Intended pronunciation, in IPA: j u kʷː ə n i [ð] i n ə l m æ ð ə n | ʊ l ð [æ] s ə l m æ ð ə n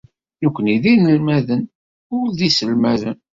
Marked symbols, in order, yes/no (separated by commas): yes, no